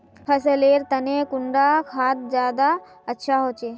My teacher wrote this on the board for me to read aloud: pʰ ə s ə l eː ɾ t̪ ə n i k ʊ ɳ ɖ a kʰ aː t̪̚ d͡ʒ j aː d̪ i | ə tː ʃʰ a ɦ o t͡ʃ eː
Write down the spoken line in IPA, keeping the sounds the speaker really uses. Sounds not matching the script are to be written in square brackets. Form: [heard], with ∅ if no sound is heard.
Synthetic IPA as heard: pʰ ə s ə l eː ɾ t̪ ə n [e] k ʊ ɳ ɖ a kʰ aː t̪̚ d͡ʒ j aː d̪ [a] | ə tː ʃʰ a ɦ o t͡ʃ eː